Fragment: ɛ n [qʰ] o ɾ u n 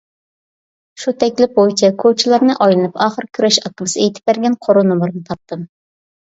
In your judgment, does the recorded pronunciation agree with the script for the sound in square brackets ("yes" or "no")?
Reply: yes